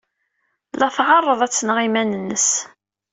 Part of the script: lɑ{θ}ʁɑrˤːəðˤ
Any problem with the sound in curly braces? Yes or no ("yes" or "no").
no